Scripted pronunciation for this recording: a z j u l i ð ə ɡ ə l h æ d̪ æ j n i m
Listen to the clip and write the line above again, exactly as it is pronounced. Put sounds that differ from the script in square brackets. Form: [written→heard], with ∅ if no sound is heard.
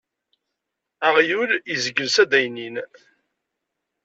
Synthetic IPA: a [z→ʁ] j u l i [ð→z] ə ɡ ə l [h→s] æ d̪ æ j n i [m→n]